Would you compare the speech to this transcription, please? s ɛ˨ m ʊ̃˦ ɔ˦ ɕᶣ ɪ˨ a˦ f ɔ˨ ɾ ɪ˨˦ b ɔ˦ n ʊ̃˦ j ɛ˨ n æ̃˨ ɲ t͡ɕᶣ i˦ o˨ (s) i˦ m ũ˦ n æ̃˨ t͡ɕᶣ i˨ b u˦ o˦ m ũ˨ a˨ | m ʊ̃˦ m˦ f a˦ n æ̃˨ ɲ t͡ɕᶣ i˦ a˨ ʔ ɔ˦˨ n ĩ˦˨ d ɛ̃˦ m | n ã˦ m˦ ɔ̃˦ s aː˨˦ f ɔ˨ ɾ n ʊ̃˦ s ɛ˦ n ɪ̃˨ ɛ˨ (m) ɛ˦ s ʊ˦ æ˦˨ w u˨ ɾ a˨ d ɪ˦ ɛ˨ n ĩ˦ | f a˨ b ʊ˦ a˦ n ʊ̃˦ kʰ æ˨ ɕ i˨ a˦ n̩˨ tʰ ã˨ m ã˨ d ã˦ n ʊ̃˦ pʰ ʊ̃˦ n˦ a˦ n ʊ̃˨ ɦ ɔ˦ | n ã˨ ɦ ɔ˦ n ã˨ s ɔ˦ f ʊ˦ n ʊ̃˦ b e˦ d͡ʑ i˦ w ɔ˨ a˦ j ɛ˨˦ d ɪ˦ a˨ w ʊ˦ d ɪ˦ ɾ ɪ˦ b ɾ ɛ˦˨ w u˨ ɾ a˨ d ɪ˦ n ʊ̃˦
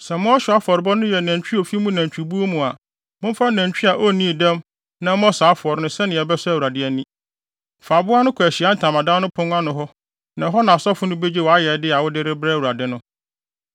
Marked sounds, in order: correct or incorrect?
incorrect, incorrect

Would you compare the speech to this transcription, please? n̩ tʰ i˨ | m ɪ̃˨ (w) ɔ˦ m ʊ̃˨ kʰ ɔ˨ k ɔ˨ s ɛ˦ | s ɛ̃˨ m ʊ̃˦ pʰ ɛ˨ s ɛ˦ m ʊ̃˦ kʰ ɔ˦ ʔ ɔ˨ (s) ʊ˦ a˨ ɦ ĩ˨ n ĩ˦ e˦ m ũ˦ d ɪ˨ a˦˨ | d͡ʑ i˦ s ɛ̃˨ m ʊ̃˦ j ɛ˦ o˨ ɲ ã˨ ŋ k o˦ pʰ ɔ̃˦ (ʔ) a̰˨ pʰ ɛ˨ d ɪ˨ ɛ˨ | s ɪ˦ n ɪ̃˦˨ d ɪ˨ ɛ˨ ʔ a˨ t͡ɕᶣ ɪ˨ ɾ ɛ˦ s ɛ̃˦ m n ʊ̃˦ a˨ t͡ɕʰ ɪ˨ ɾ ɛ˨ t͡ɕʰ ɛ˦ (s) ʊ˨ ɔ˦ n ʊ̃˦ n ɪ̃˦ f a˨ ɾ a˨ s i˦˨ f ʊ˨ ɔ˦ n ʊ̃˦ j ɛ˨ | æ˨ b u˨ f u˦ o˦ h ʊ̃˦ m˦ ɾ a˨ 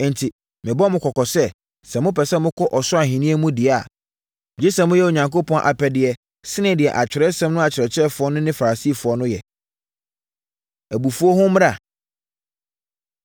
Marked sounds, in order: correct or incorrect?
incorrect, correct, correct, incorrect

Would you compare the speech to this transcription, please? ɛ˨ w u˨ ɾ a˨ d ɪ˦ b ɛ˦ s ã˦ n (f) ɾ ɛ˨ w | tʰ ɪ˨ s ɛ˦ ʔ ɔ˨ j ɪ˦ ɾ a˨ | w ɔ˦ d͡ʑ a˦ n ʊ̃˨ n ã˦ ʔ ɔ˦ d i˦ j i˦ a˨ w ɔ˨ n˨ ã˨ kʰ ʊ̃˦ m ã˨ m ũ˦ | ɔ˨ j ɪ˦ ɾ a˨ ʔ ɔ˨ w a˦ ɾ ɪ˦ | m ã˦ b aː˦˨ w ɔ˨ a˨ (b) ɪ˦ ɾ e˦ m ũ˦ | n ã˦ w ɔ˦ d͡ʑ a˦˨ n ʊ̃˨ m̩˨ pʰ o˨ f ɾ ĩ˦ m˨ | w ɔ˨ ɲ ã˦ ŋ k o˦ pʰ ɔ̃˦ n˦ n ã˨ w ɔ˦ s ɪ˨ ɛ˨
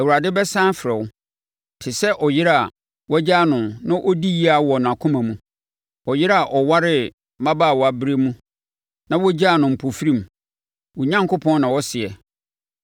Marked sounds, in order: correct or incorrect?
correct, correct

